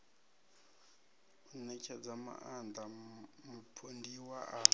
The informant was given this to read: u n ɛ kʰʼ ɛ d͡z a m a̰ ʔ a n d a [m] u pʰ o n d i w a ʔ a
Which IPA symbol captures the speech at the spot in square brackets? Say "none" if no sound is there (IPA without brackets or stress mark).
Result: m